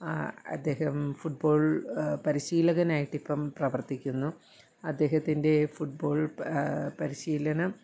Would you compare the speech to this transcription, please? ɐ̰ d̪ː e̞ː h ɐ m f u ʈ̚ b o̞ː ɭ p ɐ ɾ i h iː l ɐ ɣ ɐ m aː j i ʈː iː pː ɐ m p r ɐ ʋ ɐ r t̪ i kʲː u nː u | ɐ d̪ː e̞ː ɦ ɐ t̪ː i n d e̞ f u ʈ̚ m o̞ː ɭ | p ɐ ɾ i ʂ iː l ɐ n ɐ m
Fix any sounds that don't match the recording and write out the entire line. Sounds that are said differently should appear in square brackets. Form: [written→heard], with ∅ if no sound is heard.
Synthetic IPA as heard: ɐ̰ d̪ː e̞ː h ɐ m f u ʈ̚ b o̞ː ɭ p ɐ ɾ i [h→ɕ] iː l ɐ ɣ ɐ [m→n] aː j i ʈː [iː→i] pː ɐ m p r ɐ ʋ ɐ r t̪ i kʲː u nː u | ɐ d̪ː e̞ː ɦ ɐ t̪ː i n d e̞ f u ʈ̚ [m→b] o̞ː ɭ | p ɐ ɾ i [ʂ→ɕ] iː l ɐ n ɐ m